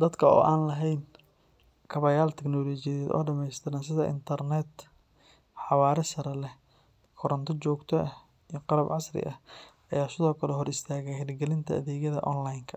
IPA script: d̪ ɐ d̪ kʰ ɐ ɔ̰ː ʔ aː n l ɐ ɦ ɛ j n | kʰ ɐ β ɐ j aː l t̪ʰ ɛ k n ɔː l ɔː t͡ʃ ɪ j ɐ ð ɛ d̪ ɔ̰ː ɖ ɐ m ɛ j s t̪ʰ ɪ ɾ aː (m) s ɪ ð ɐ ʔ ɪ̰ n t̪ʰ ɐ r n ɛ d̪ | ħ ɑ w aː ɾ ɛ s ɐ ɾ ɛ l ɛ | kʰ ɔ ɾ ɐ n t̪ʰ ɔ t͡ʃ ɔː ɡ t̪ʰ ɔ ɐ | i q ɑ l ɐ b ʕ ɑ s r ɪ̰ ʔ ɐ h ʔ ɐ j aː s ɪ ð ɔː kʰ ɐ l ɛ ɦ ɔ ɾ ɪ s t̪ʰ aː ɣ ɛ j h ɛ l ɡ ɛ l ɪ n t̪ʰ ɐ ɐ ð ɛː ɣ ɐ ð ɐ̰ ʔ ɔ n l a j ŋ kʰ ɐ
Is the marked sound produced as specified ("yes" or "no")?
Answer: no